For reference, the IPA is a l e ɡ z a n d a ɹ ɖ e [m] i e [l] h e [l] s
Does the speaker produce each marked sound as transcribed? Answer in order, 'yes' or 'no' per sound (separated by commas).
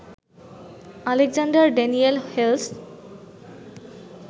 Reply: no, yes, yes